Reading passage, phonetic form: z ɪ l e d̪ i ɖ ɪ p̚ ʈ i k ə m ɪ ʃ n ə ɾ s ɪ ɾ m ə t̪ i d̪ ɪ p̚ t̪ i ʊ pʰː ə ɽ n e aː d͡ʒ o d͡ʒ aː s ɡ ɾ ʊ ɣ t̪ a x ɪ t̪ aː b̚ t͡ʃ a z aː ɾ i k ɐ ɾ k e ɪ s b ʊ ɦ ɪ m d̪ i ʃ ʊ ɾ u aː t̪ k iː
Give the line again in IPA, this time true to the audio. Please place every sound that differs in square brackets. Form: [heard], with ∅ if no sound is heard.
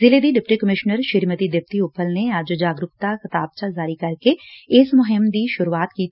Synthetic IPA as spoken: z ɪ l e d̪ i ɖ ɪ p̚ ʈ i k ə m ɪ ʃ n ə ɾ [ʃ] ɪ ɾ m ə t̪ i d̪ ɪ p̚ t̪ i ʊ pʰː ə [l] n e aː d͡ʒ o d͡ʒ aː [∅] ɡ ɾ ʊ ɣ t̪ a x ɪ t̪ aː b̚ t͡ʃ a z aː ɾ i k ɐ ɾ k e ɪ s [m] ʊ ɦ ɪ m d̪ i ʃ ʊ ɾ u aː t̪ k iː

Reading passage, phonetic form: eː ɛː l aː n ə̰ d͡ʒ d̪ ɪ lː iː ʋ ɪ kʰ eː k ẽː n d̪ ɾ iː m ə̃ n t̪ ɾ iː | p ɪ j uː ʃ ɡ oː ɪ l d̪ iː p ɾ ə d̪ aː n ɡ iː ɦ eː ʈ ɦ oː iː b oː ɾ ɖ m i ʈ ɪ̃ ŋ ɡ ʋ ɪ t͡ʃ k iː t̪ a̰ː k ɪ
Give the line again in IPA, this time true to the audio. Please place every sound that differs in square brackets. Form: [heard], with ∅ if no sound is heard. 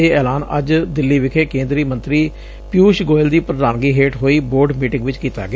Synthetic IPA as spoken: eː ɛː l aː n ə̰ d͡ʒ d̪ ɪ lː iː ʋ ɪ kʰ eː k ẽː n d̪ ɾ iː m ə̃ n t̪ ɾ iː | p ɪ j uː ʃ ɡ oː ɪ l d̪ iː p ɾ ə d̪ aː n ɡ iː ɦ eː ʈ ɦ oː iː b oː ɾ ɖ m [iː] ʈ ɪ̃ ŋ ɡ ʋ ɪ t͡ʃ k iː t̪ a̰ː [ɡ] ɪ

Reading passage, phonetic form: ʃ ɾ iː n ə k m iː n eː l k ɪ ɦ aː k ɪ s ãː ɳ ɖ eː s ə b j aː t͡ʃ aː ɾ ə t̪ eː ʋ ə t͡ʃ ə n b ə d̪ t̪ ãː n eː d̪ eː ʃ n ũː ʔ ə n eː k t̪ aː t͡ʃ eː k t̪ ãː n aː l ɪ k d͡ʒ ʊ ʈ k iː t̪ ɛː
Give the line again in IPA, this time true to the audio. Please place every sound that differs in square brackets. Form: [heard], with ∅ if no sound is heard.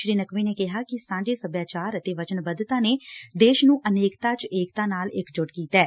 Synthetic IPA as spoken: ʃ ɾ iː n ə k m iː n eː [∅] k ɪ ɦ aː k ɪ s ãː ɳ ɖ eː s ə b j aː t͡ʃ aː ɾ ə t̪ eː ʋ ə t͡ʃ ə n b ə d̪ t̪ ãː n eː d̪ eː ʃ n ũː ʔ ə n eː k t̪ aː t͡ʃ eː k t̪ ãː n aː l ɪ k d͡ʒ ʊ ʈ k iː t̪ ɛː

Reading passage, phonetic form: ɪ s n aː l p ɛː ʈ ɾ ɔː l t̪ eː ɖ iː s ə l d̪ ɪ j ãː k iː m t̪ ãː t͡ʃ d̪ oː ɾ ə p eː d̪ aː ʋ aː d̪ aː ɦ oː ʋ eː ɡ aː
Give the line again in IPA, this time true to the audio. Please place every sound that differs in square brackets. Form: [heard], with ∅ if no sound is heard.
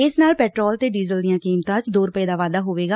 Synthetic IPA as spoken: ɪ s n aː l p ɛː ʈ ɾ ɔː l t̪ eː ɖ iː [z] ə l d̪ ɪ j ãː k iː m t̪ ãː t͡ʃ d̪ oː ɾ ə p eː d̪ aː ʋ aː d̪ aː ɦ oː ʋ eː ɡ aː

